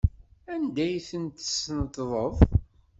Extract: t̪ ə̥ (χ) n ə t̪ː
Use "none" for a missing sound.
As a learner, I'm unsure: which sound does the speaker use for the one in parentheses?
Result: s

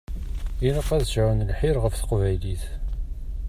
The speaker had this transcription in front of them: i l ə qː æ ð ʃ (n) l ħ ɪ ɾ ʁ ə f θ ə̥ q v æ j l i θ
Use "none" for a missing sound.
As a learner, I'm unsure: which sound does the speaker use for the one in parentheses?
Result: n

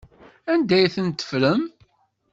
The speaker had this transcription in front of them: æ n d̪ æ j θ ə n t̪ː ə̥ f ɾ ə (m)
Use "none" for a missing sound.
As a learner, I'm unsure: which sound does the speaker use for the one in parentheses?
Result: m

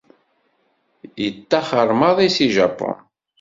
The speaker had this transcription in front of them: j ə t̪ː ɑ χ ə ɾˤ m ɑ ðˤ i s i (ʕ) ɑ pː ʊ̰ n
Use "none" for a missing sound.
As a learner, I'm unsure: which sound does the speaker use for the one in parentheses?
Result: ʒ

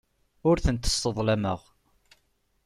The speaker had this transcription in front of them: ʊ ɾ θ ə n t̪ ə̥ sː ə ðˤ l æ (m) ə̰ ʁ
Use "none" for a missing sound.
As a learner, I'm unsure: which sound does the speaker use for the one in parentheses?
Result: m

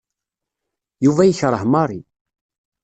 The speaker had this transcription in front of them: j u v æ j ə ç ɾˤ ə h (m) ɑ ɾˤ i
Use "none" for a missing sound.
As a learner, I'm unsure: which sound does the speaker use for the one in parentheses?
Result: m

